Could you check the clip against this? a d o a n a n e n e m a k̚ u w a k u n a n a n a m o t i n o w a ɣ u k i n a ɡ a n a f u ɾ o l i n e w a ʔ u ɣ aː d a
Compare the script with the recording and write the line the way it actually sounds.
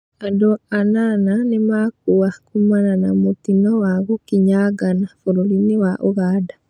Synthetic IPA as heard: a d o a n a n a n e m a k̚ u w a k u m a n a n a m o t i n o w a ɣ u k i ɲ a ɡ a n a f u ɾ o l i n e w a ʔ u ɣ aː d a